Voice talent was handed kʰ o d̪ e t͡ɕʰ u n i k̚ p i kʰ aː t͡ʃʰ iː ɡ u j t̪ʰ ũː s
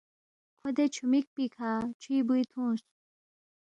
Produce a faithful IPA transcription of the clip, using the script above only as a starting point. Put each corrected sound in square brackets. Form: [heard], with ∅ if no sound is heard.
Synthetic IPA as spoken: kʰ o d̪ e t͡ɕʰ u [m] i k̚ p i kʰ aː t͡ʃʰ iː [b] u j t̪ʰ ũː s